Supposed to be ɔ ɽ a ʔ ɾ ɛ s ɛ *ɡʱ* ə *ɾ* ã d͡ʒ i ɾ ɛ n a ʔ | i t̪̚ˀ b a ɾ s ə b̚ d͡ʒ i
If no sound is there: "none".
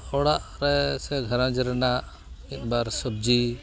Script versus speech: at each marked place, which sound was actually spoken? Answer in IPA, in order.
ɡʱ, ɾ

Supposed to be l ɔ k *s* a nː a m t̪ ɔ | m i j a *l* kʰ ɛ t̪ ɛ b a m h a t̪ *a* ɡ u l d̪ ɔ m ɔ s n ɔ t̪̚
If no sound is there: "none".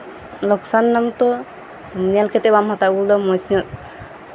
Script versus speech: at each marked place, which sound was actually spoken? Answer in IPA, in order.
s, l, a

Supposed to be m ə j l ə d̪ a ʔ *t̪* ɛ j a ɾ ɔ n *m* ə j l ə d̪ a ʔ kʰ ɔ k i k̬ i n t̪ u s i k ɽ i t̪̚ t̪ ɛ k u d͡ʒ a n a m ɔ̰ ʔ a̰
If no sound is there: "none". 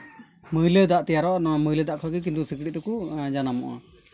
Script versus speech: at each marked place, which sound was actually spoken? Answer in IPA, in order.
t̪, m

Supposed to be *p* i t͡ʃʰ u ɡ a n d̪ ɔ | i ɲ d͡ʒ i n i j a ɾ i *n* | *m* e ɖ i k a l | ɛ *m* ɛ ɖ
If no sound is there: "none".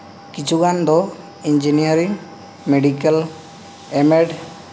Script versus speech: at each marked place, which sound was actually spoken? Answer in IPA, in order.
k, ŋ, m, m

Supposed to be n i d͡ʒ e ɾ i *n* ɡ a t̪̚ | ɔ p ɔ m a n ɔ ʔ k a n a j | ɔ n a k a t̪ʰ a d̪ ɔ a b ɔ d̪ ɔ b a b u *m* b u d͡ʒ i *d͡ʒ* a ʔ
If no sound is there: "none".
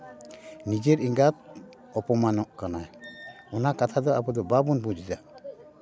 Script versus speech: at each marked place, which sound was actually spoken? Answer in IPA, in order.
ŋ, n, d͡ʒ

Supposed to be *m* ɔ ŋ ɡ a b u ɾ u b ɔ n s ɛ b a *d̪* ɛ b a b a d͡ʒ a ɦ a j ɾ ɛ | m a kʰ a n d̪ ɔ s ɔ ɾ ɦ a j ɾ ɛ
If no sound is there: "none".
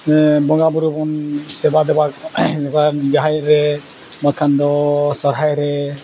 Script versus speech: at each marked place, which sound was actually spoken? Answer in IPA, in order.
b, d̪

